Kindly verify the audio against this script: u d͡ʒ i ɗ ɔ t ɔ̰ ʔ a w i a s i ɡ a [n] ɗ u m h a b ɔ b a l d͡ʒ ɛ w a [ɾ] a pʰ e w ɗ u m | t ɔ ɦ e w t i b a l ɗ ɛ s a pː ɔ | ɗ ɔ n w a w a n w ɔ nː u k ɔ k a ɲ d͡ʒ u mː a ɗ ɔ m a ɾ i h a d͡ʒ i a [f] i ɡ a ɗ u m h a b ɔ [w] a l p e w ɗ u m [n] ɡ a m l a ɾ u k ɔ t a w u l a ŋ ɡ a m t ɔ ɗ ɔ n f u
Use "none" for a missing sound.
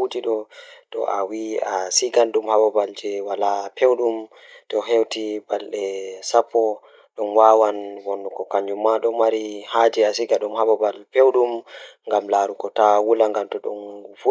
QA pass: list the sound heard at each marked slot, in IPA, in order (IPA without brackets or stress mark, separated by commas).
n, l, s, b, ŋ